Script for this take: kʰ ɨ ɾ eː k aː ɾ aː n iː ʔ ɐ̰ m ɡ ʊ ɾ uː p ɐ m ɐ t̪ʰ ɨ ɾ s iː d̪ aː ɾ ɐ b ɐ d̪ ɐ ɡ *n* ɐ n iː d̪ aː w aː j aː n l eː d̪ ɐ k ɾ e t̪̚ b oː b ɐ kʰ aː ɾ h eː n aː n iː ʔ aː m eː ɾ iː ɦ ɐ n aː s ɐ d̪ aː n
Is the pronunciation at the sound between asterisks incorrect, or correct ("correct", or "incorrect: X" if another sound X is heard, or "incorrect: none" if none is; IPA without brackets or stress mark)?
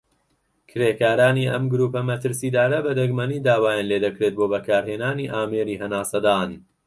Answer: incorrect: m